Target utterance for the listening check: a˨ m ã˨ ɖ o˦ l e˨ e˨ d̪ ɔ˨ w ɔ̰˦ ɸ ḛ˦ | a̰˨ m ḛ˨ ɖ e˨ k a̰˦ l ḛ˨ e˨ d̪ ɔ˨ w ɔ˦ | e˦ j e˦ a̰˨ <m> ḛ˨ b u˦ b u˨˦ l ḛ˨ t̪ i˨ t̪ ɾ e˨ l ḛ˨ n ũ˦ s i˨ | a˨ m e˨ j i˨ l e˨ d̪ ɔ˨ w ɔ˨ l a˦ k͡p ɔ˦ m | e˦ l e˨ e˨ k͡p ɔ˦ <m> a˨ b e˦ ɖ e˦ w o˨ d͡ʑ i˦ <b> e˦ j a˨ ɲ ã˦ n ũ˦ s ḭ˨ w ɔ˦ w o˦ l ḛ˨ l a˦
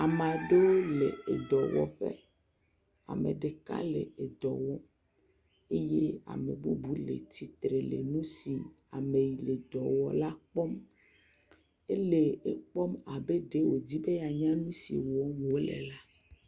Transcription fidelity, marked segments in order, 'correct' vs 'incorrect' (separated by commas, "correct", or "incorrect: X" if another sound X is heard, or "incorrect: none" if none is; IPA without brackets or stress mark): correct, correct, correct